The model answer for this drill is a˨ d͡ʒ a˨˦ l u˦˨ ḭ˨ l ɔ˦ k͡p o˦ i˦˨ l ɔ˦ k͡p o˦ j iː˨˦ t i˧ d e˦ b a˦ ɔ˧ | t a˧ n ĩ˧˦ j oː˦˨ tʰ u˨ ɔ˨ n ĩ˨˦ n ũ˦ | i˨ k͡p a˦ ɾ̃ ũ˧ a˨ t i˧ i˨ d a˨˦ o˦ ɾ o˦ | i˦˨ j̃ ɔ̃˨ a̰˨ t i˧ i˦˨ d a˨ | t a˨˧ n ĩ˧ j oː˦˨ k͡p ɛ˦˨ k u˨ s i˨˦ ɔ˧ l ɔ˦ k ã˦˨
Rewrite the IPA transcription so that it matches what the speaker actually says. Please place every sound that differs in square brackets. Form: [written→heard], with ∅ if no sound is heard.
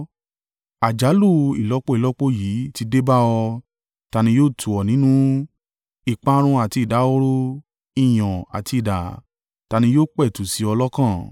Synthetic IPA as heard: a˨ d͡ʒ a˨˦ l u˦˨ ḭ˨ l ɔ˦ k͡p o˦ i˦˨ l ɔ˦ k͡p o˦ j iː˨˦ t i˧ d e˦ b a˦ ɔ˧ | t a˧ n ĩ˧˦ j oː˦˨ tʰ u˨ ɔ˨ n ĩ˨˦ n ũ˦ | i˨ k͡p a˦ ɾ̃ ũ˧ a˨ t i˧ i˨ d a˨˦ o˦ ɾ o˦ | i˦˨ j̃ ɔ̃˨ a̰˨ t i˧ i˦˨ d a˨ | t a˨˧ n ĩ˧ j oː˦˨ k͡p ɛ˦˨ [k→t] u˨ s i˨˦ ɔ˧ l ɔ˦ k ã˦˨